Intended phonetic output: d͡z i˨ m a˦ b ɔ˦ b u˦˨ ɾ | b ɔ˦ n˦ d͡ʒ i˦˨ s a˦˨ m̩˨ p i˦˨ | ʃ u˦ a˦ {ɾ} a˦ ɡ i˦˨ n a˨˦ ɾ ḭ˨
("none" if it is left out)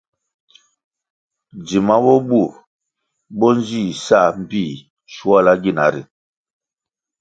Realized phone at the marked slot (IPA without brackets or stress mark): l